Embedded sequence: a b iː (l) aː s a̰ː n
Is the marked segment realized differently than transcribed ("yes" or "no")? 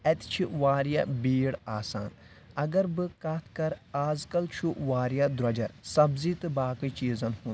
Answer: yes